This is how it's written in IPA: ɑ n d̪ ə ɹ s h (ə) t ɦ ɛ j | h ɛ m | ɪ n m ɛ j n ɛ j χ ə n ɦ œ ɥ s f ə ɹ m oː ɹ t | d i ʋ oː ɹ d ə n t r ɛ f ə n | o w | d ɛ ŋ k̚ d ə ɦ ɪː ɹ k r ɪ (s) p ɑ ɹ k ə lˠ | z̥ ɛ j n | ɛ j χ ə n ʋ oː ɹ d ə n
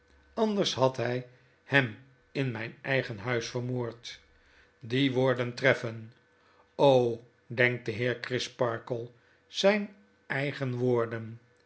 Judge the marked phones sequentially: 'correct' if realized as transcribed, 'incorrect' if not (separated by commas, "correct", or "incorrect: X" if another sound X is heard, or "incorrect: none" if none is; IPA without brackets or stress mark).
incorrect: ɑ, correct